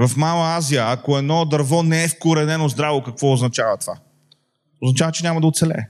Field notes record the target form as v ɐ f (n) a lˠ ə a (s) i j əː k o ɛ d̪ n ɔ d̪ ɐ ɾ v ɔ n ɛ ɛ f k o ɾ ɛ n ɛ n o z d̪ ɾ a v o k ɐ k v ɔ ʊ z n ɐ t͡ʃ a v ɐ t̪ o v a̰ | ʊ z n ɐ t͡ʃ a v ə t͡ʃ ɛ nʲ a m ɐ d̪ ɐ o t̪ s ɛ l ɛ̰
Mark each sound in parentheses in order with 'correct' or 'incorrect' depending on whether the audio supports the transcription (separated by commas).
incorrect, incorrect